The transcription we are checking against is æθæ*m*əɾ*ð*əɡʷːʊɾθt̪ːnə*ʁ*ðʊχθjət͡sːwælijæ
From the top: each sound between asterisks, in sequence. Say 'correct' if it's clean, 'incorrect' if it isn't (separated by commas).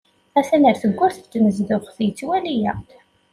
incorrect, incorrect, incorrect